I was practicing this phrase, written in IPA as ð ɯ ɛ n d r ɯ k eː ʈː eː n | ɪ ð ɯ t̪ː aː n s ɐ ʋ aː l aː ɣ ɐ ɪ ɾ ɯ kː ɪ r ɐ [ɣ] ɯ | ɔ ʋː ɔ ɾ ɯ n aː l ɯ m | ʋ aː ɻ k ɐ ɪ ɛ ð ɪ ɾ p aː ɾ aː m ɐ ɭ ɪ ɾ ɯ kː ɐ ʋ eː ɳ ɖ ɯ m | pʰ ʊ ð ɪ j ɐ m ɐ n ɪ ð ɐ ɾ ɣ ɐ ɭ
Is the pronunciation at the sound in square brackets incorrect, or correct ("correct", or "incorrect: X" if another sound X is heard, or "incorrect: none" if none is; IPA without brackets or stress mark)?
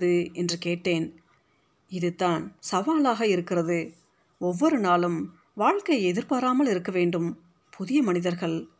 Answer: incorrect: ð